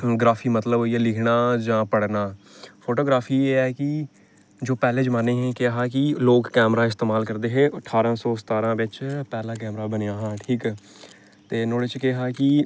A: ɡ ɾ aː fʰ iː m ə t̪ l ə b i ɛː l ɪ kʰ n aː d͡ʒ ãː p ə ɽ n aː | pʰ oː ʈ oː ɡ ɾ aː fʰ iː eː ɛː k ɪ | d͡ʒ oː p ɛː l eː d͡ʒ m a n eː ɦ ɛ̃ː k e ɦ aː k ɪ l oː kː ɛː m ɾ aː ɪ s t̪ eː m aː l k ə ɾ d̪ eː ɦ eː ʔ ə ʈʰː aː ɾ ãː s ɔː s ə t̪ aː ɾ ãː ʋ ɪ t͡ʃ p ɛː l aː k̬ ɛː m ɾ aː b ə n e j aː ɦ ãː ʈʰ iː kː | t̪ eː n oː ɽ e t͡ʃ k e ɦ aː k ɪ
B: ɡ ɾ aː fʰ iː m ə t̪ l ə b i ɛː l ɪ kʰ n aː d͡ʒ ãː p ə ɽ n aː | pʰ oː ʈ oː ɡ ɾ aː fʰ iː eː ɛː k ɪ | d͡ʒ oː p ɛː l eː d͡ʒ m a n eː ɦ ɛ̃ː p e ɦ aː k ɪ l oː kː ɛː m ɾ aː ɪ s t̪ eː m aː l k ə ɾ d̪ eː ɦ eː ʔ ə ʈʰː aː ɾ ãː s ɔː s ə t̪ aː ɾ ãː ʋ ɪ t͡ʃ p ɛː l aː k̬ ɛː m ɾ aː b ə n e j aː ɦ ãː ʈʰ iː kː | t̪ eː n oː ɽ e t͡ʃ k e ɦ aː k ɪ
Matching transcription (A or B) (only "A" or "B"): A